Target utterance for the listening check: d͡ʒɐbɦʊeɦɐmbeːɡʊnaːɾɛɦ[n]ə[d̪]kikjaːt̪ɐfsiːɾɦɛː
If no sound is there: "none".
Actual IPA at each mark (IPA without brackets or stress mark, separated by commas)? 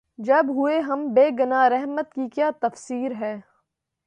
m, t̪